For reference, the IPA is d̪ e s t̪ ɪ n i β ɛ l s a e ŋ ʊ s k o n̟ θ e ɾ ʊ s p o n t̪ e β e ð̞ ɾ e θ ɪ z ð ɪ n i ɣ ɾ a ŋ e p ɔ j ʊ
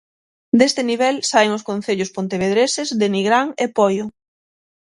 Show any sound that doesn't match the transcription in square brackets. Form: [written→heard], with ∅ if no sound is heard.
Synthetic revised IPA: d̪ e s t̪ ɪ n i β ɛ l s a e ŋ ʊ s k o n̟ θ e [ɾ→ʎ] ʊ s p o n t̪ e β e ð̞ ɾ e [θ→s] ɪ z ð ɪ n i ɣ ɾ a ŋ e p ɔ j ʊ